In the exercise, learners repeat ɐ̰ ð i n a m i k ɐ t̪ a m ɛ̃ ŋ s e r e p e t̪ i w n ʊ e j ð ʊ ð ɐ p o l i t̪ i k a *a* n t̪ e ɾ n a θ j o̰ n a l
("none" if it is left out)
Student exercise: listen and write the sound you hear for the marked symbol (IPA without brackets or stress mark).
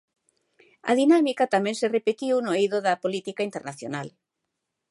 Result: i